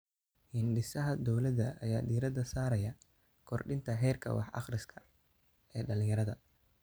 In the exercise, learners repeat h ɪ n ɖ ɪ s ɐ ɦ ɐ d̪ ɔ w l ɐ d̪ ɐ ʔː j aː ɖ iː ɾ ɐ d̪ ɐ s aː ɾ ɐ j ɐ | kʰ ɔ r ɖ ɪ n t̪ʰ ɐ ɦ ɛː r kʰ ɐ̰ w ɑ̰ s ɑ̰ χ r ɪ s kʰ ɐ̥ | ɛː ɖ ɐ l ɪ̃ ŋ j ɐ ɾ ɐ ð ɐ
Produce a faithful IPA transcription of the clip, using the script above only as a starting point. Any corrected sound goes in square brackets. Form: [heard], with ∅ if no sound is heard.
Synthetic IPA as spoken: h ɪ n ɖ ɪ s ɐ ɦ ɐ d̪ ɔ w l ɐ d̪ ɐ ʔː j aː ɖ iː ɾ ɐ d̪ ɐ s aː ɾ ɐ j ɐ | kʰ ɔ r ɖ ɪ n t̪ʰ ɐ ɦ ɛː r kʰ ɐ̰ w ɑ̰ [ħ] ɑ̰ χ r ɪ s kʰ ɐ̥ | ɛː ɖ ɐ l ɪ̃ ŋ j ɐ ɾ ɐ ð ɐ